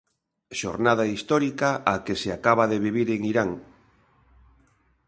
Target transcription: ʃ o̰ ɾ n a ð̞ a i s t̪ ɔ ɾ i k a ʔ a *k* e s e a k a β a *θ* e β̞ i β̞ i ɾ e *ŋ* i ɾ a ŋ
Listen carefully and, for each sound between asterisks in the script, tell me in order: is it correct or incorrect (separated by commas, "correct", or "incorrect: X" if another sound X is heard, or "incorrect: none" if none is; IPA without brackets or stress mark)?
correct, incorrect: ð, correct